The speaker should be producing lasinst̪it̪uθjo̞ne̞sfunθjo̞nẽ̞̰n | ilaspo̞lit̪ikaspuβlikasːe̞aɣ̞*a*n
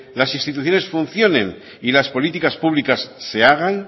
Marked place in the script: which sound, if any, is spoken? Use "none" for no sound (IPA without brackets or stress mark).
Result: a